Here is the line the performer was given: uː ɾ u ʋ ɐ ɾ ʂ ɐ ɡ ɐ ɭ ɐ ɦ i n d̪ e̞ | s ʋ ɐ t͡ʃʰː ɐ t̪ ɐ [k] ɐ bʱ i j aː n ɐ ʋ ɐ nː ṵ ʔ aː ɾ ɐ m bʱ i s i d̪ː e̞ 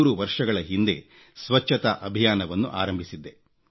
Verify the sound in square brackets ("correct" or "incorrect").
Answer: incorrect